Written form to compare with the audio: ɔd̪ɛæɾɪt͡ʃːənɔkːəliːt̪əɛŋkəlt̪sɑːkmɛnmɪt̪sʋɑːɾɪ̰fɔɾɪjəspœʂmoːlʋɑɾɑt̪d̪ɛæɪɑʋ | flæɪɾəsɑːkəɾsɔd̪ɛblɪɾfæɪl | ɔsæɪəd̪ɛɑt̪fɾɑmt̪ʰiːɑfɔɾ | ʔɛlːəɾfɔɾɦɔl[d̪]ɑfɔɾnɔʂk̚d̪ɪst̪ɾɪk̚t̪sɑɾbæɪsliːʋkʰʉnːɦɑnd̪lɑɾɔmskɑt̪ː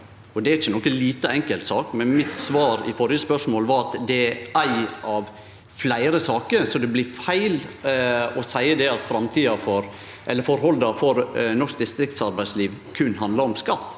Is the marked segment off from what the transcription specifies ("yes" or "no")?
no